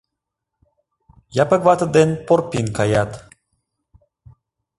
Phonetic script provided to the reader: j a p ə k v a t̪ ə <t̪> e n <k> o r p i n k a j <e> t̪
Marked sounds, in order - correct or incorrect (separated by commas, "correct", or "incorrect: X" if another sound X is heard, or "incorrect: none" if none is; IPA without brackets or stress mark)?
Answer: incorrect: d̪, incorrect: p, incorrect: a